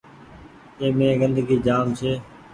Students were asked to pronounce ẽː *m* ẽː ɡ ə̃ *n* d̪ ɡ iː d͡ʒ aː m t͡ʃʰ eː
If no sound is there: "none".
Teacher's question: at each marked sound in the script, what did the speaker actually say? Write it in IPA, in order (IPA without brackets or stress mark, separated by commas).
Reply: m, n